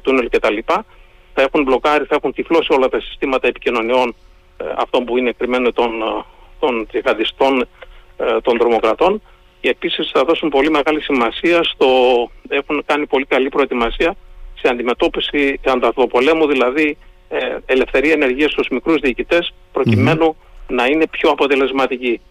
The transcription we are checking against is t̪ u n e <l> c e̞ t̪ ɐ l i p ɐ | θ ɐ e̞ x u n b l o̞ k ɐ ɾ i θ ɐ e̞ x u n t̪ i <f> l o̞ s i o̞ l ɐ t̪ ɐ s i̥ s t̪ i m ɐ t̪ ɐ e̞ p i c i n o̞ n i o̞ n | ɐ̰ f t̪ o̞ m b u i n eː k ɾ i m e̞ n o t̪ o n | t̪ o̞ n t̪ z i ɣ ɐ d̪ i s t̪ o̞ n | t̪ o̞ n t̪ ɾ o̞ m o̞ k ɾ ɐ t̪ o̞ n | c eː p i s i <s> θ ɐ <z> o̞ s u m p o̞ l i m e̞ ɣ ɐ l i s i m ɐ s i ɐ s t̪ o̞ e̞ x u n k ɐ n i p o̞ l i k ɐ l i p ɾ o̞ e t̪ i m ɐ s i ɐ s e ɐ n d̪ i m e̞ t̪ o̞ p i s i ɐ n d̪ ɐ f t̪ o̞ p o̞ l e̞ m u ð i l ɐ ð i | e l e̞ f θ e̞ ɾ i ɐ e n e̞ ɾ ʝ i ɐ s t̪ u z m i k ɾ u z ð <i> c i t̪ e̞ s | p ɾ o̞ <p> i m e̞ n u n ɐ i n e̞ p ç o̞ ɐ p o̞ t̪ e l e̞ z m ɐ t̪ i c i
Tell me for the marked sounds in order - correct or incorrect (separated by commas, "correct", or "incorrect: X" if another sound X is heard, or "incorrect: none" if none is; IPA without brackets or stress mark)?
correct, correct, correct, incorrect: ð, incorrect: iː, incorrect: c